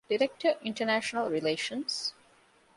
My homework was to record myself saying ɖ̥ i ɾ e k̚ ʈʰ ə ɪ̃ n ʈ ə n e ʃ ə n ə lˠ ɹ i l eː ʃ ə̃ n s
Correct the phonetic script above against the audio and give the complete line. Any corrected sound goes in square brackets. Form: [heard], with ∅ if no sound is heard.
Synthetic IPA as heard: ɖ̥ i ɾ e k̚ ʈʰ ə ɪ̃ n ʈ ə n [æ] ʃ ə n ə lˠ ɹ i l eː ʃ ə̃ n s